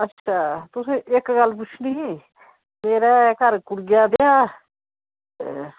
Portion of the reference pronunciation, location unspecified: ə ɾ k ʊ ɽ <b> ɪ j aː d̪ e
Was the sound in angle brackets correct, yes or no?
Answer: no